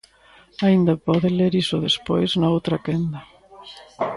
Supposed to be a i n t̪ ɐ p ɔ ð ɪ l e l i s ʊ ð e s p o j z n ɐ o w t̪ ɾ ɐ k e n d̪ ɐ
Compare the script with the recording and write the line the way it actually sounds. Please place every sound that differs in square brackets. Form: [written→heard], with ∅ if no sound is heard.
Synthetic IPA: a i n [t̪→d̪] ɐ p ɔ ð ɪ l e [l→ɾ] i s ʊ ð e s p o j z n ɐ o w t̪ ɾ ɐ k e n d̪ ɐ